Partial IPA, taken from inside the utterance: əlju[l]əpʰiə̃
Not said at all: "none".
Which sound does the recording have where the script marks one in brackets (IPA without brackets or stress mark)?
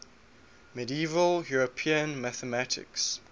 ɹ